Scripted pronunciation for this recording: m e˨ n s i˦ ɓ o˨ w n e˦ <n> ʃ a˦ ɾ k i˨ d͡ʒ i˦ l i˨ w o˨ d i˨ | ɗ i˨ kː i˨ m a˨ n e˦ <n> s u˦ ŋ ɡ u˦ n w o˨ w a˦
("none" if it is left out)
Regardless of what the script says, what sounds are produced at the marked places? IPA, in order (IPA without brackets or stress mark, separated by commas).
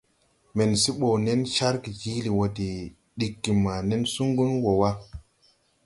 n, n